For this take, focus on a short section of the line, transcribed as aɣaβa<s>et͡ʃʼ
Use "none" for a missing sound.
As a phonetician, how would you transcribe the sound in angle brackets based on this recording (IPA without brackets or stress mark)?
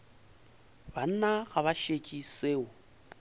ʃ